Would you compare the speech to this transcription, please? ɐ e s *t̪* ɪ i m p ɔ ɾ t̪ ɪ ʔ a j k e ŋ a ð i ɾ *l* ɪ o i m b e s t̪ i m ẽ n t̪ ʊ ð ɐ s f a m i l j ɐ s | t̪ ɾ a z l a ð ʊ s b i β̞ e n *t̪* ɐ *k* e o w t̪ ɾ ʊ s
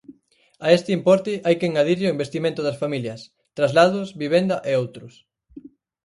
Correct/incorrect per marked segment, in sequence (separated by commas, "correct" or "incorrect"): correct, incorrect, incorrect, incorrect